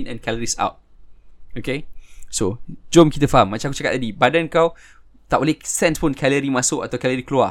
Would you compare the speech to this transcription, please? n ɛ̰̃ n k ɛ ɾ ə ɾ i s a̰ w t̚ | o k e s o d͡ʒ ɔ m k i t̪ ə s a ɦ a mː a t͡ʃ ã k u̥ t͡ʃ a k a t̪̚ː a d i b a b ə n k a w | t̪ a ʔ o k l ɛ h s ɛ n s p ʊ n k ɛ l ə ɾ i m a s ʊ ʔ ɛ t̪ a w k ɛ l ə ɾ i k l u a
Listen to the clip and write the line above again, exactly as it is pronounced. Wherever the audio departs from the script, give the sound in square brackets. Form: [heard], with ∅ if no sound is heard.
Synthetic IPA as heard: n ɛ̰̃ n k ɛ [l] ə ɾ i s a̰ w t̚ | o k e s o d͡ʒ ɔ m k i t̪ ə [f] a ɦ a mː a t͡ʃ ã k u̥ t͡ʃ a k a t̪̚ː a d i b a [d] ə n k a w | t̪ a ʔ o [∅] l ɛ h s ɛ n s p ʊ n k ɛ l ə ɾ i m a s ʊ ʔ [a] t̪ a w k ɛ l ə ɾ i k l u a